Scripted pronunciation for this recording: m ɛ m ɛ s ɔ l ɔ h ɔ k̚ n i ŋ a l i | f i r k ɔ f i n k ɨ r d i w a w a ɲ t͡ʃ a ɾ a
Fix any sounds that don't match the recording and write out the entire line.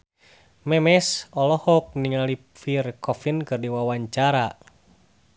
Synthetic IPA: m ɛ m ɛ s ɔ l ɔ h ɔ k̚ n i ŋ a l i | f i r k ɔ f i n k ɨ r d i w a w a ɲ t͡ʃ a ɾ a